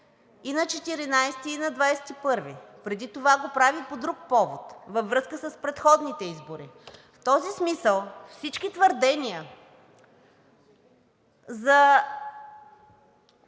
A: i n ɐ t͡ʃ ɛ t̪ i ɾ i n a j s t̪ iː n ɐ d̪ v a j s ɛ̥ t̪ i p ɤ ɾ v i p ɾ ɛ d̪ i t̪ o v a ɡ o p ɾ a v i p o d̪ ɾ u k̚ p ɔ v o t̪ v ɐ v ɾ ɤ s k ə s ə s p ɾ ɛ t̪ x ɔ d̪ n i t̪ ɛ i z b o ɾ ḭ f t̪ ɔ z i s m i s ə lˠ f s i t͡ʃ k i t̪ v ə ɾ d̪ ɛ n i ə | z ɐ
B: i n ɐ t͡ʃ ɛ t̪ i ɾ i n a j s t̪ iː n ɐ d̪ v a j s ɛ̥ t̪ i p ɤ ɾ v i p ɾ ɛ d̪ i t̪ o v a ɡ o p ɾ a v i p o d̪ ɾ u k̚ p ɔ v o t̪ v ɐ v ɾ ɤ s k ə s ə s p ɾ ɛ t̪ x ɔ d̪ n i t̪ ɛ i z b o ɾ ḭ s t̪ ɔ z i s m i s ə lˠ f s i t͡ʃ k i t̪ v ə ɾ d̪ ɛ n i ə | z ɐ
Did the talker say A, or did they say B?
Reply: A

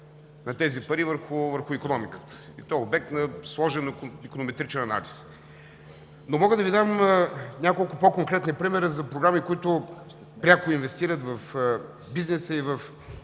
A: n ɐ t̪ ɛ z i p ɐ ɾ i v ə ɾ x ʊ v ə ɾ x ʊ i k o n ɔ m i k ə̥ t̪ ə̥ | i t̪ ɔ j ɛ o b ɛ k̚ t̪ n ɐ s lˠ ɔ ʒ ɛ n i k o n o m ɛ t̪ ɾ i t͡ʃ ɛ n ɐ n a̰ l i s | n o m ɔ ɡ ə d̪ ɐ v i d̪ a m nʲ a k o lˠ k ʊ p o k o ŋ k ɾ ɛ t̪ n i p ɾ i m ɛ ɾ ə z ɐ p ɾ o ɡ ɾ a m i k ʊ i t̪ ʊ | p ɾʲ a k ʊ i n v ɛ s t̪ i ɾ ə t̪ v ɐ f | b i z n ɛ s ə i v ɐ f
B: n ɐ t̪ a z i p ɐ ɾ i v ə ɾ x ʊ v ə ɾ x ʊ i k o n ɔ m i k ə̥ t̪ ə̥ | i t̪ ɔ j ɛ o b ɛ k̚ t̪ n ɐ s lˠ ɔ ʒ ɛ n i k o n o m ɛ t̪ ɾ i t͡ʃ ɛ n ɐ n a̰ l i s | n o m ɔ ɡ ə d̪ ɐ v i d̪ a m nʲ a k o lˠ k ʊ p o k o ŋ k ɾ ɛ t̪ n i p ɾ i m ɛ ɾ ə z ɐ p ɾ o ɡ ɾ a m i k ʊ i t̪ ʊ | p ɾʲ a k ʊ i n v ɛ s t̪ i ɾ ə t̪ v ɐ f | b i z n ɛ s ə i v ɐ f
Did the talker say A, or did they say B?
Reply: A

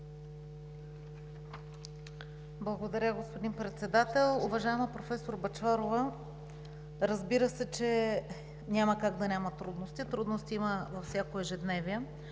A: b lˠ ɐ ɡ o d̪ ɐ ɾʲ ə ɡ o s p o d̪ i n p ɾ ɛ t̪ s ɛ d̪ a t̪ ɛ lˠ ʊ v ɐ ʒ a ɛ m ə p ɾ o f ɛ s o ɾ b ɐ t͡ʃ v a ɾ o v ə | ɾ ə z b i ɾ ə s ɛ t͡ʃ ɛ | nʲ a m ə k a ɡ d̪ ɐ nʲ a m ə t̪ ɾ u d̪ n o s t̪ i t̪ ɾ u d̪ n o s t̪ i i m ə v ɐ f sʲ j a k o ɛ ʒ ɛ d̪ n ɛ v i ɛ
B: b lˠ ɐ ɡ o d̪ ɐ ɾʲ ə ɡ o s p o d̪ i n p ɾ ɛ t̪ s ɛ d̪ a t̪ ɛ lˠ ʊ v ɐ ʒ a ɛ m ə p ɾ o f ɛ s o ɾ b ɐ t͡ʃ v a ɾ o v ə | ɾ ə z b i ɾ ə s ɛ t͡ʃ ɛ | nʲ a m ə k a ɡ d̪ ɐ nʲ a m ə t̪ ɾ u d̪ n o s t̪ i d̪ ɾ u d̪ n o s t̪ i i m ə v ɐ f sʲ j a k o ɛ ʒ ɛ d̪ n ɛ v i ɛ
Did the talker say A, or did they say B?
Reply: A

